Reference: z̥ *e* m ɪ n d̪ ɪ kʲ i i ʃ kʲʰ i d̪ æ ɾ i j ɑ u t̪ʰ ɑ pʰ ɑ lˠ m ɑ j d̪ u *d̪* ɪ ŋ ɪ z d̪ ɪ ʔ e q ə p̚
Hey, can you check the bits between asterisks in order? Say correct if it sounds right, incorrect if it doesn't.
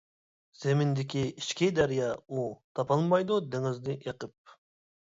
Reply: correct, correct

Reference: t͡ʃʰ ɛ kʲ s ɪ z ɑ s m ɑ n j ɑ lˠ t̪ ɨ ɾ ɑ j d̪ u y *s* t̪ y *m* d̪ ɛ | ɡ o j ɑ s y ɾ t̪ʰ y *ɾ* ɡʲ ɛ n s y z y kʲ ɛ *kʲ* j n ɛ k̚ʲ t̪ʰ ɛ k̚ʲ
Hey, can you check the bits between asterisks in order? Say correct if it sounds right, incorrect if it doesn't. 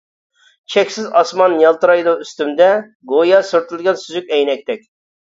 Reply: correct, correct, incorrect: l, incorrect: none

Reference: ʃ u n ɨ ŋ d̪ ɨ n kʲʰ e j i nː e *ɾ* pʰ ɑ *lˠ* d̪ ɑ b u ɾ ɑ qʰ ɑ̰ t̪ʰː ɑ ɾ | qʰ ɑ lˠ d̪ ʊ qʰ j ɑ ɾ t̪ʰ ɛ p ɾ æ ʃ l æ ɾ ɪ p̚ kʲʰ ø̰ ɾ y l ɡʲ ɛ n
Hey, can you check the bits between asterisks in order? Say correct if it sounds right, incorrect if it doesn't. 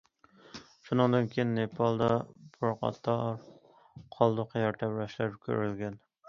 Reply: incorrect: none, correct

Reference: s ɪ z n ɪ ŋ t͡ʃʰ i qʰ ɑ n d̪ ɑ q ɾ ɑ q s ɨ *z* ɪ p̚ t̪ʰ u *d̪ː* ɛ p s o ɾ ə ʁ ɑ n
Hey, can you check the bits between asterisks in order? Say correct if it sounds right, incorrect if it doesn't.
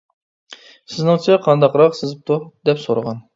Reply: correct, incorrect: d̪

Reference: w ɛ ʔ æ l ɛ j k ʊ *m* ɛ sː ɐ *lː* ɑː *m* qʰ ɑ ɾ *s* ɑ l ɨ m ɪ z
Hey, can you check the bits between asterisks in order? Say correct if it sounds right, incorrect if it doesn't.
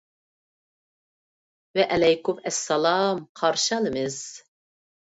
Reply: correct, incorrect: l, correct, incorrect: ʃ

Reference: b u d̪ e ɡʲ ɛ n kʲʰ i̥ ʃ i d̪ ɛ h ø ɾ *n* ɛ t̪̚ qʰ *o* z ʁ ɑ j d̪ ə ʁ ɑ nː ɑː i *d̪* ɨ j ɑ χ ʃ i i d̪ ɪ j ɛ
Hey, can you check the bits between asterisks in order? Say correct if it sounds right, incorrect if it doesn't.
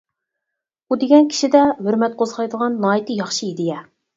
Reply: incorrect: m, correct, incorrect: t̪

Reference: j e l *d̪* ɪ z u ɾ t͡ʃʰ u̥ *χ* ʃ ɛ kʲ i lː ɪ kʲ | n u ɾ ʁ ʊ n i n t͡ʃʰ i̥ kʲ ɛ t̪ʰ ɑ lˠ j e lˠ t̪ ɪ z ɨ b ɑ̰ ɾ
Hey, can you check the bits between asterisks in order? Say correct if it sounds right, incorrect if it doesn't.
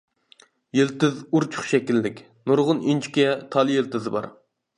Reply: incorrect: t̪, correct

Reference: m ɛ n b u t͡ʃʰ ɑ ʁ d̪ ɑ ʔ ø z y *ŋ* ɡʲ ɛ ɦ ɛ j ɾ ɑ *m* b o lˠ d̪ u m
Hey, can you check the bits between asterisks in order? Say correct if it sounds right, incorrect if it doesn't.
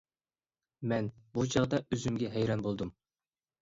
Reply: incorrect: m, incorrect: n

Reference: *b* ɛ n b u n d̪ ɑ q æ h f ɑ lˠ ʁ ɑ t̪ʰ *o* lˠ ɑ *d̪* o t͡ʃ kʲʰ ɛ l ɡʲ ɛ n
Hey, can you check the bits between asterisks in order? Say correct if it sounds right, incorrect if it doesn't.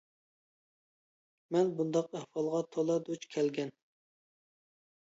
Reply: incorrect: m, correct, correct

